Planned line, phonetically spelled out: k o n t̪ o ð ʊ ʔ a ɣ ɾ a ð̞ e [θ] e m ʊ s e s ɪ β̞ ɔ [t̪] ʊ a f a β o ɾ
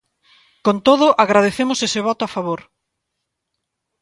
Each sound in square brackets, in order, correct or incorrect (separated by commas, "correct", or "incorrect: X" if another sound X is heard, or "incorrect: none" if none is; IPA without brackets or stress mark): correct, correct